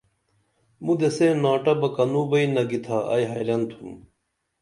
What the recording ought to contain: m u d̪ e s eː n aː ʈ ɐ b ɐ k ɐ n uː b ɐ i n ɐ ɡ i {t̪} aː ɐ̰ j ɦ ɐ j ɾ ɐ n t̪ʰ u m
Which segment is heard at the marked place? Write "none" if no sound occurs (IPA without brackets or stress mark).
t̪ʰ